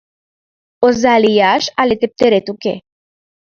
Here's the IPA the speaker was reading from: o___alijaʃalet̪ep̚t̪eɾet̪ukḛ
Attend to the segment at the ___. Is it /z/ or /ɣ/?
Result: z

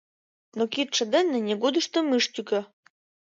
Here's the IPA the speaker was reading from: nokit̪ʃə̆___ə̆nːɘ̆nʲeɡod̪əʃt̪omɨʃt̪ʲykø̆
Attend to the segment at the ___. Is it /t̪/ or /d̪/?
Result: d̪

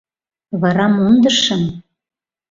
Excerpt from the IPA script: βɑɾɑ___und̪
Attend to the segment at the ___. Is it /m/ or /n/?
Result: m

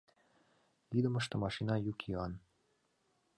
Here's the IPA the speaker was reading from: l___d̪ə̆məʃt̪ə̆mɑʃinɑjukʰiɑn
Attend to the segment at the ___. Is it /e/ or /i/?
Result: i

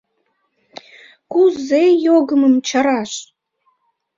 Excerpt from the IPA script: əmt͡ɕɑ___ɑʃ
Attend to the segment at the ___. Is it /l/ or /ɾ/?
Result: ɾ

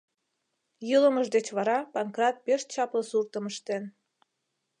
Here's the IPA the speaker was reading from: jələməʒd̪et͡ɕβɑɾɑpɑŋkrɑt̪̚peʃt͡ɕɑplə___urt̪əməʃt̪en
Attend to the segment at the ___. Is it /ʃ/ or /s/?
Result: s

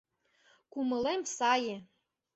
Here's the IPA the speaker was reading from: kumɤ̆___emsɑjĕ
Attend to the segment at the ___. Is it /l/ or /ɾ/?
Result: l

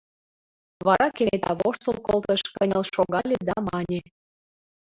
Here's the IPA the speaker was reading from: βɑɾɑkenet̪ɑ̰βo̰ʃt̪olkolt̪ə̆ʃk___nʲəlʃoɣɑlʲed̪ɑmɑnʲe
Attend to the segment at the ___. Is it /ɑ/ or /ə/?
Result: ə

